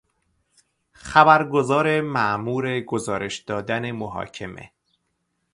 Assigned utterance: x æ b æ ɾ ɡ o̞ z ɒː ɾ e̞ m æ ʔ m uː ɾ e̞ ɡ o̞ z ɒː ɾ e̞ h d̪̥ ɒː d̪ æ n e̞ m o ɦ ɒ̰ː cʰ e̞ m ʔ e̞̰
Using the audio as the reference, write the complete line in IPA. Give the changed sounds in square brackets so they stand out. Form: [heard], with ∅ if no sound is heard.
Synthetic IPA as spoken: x æ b æ ɾ ɡ o̞ z ɒː ɾ e̞ m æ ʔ m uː ɾ e̞ ɡ o̞ z ɒː ɾ e̞ [ʃ] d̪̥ ɒː d̪ æ n e̞ m o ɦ ɒ̰ː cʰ e̞ m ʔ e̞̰